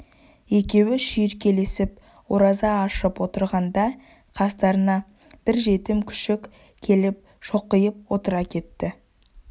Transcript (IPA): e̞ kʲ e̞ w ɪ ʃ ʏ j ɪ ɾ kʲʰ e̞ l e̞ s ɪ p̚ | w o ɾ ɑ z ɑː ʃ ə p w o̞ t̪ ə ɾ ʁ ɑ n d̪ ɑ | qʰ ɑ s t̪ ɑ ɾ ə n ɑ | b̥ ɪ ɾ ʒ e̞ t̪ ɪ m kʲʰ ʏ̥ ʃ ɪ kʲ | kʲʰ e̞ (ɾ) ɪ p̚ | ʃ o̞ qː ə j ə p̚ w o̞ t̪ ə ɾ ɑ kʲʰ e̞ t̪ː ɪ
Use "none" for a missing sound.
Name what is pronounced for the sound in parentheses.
l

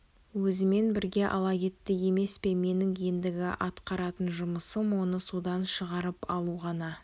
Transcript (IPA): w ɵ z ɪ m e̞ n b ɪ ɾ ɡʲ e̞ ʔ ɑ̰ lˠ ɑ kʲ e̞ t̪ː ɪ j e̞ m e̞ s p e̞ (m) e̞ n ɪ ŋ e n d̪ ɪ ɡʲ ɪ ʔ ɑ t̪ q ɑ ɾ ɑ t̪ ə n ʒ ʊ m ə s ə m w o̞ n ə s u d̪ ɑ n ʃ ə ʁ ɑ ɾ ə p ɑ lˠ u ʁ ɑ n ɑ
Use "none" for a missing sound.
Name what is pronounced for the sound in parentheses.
m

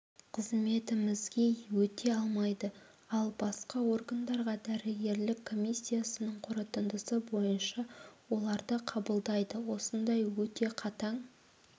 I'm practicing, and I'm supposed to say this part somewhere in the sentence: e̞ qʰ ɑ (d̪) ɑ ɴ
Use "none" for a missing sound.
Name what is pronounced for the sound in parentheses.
t̪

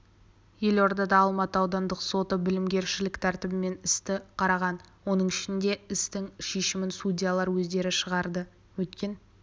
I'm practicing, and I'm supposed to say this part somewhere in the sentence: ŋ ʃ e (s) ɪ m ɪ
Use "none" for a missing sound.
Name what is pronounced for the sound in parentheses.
ʃ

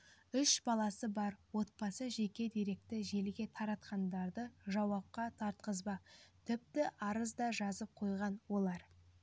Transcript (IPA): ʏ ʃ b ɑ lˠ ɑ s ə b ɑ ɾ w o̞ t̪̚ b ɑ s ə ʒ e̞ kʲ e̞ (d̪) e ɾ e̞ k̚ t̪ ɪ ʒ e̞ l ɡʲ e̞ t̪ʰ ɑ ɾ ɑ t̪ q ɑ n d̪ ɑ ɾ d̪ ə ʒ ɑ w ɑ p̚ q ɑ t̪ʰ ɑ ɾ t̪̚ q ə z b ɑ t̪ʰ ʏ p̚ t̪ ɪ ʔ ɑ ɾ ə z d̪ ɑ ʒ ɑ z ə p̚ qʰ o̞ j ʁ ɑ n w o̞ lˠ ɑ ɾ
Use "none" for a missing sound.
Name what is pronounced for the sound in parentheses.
d̪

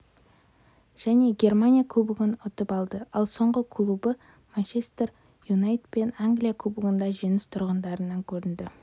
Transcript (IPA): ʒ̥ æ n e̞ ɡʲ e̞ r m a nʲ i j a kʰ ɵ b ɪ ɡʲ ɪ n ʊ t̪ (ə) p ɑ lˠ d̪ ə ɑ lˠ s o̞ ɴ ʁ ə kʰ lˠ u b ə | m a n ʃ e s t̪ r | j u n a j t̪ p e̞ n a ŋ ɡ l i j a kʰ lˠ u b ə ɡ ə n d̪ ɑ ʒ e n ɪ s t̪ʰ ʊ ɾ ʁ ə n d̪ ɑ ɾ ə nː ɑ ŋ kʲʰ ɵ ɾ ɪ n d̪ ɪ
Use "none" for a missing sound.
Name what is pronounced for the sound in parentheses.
ə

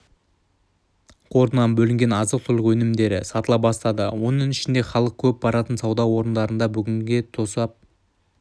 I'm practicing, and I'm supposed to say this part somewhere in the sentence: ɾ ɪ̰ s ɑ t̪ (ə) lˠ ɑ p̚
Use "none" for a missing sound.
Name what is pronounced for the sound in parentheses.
ə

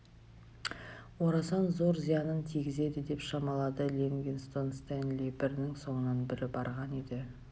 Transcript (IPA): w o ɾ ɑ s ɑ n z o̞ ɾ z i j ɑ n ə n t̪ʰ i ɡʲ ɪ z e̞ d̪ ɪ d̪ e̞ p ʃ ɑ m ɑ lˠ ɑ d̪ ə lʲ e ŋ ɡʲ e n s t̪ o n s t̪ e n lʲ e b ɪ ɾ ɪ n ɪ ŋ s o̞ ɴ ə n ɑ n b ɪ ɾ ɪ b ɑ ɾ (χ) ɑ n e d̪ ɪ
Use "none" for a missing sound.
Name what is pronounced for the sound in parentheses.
ʁ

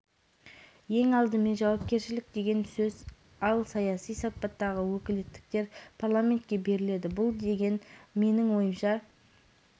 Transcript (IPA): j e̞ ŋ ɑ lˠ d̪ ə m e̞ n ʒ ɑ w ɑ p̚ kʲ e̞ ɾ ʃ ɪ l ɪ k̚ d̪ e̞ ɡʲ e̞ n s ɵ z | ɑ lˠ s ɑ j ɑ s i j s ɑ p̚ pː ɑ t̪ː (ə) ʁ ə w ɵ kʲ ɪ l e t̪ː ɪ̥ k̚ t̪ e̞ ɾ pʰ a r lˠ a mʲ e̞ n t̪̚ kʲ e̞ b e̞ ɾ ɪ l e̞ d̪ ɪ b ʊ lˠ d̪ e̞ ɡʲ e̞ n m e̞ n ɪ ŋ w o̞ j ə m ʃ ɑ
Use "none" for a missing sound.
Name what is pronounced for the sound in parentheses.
ɑ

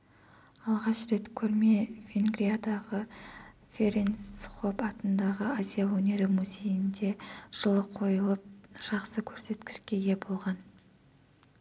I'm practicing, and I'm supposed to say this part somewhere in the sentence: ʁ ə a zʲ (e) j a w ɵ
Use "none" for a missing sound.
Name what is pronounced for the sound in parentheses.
i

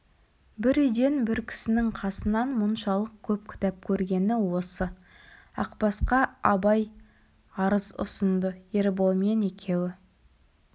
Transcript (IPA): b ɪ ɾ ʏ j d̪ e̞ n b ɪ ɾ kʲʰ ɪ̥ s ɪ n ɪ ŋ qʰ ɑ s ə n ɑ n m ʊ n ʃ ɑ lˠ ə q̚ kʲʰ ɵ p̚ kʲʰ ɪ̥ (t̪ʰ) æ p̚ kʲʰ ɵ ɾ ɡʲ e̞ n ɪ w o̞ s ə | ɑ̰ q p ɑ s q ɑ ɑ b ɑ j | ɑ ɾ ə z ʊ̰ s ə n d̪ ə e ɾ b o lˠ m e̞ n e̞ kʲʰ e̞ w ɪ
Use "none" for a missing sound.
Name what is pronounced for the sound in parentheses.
t̪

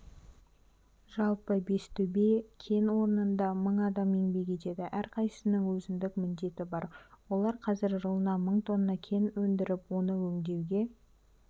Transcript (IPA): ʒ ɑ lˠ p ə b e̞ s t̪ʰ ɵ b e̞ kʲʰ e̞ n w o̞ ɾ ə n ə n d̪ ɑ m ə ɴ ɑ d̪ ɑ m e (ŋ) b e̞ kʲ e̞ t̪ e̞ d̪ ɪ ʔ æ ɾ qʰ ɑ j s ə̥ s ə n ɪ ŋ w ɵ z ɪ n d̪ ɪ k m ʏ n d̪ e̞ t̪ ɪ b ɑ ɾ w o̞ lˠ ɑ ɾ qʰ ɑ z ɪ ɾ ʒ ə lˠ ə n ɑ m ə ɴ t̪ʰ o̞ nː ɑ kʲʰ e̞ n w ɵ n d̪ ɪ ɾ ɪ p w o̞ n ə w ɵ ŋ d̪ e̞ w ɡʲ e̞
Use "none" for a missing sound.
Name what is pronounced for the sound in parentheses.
ŋ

